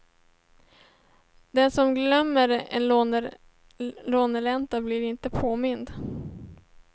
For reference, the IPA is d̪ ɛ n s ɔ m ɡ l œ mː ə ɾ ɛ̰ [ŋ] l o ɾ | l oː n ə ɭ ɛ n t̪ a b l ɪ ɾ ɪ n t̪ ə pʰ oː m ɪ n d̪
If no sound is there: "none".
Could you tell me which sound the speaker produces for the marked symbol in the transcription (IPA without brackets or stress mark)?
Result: n